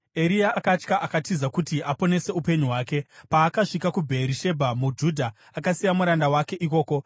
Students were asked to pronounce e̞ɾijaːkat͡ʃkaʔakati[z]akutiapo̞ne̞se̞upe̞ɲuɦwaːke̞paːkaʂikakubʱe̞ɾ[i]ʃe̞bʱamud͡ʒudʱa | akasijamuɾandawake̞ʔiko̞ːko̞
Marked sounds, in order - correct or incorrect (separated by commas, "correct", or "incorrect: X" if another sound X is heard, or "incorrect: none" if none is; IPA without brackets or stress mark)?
correct, correct